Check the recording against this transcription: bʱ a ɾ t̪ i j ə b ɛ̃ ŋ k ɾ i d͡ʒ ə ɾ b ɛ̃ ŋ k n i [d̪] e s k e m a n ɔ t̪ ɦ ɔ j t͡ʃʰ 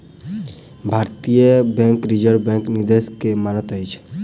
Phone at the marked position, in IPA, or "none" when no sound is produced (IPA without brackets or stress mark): d̪